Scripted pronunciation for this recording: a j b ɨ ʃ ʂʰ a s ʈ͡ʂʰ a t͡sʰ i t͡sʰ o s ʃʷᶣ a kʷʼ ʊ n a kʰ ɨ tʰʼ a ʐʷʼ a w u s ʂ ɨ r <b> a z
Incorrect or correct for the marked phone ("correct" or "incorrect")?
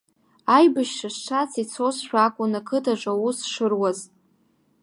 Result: incorrect